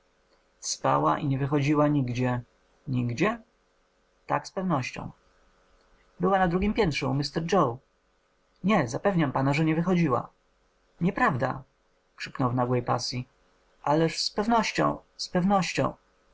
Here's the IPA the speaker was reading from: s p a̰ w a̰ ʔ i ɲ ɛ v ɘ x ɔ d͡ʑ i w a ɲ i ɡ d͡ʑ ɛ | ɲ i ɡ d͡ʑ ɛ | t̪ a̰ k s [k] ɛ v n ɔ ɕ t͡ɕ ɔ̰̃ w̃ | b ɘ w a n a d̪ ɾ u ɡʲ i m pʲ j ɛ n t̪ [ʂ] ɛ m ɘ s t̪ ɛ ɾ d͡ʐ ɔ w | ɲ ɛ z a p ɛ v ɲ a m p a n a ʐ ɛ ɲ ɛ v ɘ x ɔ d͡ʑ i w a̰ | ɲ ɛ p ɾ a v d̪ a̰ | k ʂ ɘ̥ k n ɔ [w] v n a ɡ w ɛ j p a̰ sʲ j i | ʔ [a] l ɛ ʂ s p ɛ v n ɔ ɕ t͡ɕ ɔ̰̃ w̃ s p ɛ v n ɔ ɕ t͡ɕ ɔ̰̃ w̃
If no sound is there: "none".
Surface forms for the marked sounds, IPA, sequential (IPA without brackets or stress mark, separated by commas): p, ʂ, w, a